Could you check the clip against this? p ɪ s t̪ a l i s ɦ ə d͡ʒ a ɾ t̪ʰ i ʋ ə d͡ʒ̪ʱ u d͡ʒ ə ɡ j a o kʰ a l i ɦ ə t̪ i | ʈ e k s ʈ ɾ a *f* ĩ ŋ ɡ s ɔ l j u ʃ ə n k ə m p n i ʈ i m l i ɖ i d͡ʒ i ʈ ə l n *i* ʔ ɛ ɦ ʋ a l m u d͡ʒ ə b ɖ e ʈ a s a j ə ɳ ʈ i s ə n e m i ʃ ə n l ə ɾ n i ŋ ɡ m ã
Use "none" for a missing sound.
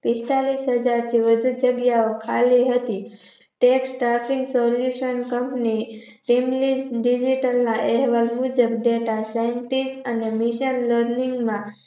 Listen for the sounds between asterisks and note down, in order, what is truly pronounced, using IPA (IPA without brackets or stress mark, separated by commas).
f, a